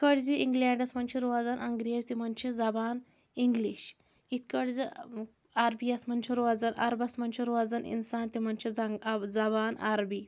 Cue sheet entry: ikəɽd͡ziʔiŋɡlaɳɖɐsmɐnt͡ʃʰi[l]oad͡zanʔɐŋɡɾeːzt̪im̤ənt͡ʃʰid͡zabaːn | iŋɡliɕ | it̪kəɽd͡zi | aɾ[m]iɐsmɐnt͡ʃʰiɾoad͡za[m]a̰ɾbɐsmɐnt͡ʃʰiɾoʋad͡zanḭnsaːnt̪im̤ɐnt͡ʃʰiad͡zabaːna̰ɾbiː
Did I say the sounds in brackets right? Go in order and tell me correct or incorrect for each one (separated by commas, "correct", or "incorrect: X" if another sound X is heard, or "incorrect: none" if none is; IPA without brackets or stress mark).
incorrect: ɾ, incorrect: b, incorrect: n